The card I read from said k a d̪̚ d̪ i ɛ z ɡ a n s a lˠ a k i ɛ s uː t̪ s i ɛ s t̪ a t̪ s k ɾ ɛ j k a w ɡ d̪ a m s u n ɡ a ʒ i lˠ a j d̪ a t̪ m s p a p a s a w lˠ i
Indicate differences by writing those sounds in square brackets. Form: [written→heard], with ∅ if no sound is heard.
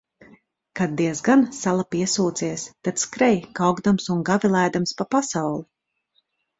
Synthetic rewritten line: k a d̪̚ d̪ i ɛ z ɡ a n s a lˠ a [k→p] i ɛ s uː t̪ s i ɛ s t̪ a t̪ s k ɾ ɛ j k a w ɡ d̪ a m s u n ɡ a [ʒ→v] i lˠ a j d̪ a [t̪→∅] m s p a p a s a w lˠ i